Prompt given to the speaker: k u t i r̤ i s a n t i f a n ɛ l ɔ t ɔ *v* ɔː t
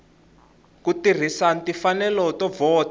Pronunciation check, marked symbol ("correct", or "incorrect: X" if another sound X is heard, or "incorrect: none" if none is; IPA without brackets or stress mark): correct